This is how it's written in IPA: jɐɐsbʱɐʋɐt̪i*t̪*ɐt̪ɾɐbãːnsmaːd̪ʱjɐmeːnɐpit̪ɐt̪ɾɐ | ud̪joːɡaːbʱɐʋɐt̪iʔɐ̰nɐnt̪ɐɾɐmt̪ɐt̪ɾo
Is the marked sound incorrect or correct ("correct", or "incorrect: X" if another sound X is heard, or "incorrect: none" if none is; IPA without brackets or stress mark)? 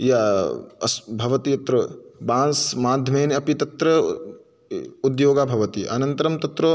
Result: incorrect: none